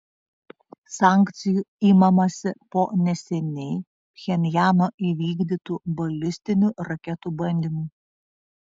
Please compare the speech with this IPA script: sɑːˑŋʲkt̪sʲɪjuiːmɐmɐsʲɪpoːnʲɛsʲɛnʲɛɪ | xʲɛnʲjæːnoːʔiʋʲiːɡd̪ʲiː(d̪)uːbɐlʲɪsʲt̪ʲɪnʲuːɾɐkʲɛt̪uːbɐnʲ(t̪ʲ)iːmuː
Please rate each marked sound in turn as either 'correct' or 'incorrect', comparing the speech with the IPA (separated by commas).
incorrect, incorrect